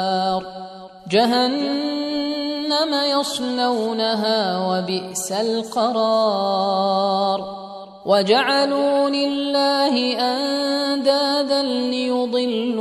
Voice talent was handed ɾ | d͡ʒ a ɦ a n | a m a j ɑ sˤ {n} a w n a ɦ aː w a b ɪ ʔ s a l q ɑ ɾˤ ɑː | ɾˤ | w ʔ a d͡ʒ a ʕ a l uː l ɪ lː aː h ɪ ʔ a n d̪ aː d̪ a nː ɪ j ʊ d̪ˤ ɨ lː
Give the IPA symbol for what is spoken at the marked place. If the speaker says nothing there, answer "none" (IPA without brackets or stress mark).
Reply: n